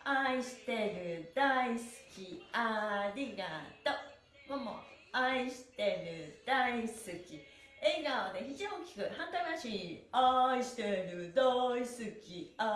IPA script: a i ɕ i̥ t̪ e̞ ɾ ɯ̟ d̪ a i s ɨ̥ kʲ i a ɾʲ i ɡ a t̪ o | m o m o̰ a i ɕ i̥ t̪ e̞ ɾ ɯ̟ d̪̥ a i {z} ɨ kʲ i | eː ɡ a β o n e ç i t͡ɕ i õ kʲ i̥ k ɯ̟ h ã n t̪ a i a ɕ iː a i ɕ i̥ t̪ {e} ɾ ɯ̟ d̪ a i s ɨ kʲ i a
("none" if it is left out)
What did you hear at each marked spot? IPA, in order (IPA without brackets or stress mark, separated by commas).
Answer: s, e